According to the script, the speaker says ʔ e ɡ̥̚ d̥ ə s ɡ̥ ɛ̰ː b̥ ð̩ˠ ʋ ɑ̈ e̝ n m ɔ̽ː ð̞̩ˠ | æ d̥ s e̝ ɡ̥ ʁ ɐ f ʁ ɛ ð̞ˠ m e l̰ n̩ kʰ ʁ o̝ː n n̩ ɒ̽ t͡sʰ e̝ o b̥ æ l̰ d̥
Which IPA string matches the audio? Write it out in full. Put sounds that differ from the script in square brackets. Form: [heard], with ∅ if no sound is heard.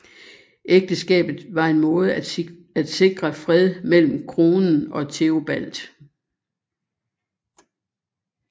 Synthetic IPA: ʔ e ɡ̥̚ d̥ ə s ɡ̥ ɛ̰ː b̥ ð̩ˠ ʋ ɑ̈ e̝ n m ɔ̽ː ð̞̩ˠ | æ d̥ s e̝ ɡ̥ ʁ ɐ f ʁ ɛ ð̞ˠ m e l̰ [m̩] kʰ ʁ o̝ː n n̩ ɒ̽ t͡sʰ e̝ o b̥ æ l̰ d̥